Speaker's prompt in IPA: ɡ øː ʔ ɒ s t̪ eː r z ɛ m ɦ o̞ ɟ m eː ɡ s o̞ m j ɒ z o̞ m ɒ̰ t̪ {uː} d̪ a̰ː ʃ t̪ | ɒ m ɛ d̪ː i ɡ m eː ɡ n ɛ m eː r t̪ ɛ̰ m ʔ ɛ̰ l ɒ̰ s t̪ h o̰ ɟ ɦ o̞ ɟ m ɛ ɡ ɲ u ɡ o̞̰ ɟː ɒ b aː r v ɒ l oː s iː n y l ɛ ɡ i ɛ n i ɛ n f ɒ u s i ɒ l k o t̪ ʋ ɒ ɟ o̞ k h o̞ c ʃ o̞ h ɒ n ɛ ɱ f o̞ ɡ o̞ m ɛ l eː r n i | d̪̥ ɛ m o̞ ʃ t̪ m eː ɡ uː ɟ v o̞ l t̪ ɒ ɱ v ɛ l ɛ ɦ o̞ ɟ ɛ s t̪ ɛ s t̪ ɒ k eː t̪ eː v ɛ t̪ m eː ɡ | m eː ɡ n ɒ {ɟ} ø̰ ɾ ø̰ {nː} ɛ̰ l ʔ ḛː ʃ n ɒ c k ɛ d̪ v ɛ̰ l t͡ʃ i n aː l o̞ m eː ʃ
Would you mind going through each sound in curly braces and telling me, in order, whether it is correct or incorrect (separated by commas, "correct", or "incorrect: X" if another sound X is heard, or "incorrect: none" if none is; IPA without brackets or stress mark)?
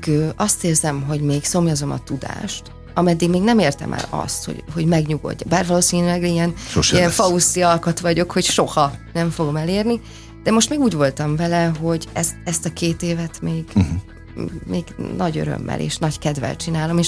incorrect: u, correct, incorrect: mː